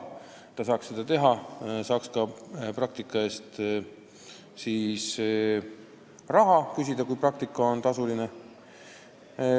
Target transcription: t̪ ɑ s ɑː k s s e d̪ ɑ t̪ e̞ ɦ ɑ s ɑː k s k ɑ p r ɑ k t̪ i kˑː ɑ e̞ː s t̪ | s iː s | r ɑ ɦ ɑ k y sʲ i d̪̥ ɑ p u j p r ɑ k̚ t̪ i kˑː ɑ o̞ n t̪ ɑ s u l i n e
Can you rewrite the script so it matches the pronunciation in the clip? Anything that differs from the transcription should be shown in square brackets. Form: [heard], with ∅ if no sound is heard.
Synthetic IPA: t̪ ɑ s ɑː k s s e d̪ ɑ t̪ e̞ ɦ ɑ s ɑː k s k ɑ p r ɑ k t̪ i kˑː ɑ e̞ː s t̪ | s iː s | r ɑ ɦ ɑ k y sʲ i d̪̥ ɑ [k] u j p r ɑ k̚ t̪ i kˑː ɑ o̞ n t̪ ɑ s u l i n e